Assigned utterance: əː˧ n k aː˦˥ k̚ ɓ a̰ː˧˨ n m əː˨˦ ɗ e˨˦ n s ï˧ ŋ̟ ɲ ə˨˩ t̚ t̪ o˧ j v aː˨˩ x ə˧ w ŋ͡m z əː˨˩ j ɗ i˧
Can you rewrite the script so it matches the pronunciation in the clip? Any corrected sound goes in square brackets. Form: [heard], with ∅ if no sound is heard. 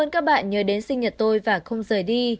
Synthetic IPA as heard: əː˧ n k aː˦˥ k̚ ɓ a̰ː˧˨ n [ɲ] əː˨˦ ɗ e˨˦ n s ï˧ ŋ̟ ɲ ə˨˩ t̚ t̪ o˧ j v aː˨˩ x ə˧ w ŋ͡m z əː˨˩ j ɗ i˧